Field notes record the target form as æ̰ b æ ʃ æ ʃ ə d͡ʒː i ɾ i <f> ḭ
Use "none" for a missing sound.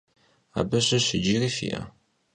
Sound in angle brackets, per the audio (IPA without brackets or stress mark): f